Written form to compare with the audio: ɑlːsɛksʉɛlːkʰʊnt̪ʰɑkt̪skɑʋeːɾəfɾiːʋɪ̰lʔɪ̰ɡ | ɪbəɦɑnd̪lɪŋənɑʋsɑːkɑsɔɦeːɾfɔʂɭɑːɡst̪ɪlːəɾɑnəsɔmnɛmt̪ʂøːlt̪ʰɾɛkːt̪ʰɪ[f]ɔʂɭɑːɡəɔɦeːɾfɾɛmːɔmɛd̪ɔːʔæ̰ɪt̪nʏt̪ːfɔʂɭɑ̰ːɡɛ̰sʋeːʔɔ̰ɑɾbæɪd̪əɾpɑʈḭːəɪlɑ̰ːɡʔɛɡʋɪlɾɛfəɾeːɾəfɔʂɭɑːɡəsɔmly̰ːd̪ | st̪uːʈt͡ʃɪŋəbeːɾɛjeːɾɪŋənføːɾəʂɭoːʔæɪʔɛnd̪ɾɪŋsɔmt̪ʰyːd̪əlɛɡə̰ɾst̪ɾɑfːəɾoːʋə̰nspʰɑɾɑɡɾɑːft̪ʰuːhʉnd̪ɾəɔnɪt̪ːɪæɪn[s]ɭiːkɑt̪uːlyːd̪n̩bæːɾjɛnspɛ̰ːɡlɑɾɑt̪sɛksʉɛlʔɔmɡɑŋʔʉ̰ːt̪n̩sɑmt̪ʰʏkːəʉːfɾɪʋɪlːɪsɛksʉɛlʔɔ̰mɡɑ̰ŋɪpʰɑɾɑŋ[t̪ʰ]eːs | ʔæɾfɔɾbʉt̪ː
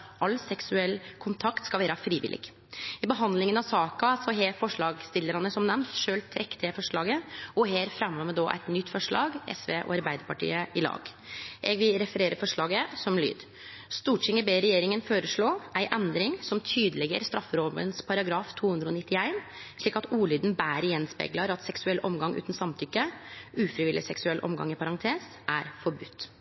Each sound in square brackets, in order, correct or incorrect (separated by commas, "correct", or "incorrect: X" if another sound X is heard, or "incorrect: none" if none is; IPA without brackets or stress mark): correct, incorrect: ʂ, correct